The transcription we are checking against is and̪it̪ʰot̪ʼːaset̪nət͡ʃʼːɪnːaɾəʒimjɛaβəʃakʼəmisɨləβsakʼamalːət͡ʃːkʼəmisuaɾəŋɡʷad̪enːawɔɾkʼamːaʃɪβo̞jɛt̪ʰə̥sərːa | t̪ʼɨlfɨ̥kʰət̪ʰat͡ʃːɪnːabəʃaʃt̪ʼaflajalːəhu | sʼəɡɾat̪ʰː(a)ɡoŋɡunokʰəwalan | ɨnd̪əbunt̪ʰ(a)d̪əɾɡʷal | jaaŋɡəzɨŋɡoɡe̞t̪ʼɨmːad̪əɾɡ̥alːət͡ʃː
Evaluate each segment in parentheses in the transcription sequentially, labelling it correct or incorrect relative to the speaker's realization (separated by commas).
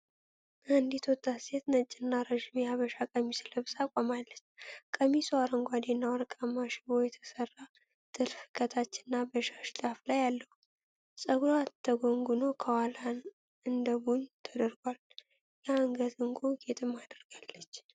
incorrect, incorrect